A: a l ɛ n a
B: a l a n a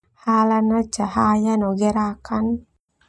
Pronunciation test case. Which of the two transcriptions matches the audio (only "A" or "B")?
B